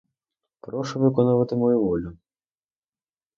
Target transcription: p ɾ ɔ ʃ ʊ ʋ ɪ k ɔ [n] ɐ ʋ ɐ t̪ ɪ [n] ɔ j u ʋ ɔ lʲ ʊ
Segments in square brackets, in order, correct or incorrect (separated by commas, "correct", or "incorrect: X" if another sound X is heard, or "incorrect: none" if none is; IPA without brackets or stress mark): correct, incorrect: m